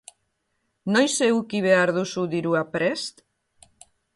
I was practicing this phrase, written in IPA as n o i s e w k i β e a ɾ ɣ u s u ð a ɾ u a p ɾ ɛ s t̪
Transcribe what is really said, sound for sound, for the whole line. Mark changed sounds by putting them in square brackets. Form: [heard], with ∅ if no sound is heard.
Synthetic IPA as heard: n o [j] s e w k i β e a ɾ [ð] u s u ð [i] ɾ u a p ɾ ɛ s t̪